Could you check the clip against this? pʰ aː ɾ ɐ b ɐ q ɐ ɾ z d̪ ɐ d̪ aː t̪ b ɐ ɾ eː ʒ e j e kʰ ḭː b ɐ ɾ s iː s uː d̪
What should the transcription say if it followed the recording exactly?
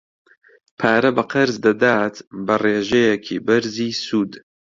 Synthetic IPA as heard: pʰ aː ɾ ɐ b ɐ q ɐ ɾ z d̪ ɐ d̪ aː t̪ b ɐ r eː ʒ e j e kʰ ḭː b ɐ ɾ z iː s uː d̪